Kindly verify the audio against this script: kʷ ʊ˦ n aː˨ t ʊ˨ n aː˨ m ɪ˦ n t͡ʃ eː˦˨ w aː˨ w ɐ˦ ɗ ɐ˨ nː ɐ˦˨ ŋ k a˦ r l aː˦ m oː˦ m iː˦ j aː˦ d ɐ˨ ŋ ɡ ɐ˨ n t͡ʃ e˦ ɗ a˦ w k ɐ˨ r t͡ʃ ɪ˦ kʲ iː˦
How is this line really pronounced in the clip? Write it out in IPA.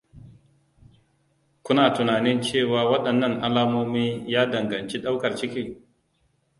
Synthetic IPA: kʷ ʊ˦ n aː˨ t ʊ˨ n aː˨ n ɪ˦ n t͡ʃ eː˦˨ w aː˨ w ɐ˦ ɗ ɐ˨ nː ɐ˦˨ ŋ ʔ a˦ l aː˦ m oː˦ m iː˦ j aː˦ d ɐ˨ ŋ ɡ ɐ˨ n t͡ʃ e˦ ɗ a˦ w k ɐ˨ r t͡ʃ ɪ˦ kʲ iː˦